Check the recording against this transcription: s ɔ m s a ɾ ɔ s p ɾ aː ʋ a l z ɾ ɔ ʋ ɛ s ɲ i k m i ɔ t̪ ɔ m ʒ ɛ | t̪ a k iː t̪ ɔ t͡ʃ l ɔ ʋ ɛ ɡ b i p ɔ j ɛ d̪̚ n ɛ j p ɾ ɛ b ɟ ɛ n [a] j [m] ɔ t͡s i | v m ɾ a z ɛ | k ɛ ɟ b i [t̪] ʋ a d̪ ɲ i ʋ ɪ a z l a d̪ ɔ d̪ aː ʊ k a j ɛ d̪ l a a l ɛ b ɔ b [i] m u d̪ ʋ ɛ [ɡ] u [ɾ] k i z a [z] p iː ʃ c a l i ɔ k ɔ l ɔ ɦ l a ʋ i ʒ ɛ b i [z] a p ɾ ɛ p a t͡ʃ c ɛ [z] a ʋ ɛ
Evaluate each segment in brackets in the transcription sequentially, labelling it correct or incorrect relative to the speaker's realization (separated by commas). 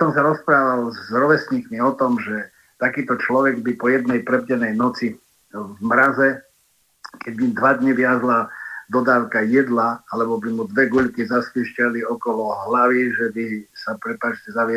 incorrect, incorrect, incorrect, correct, correct, incorrect, incorrect, incorrect, correct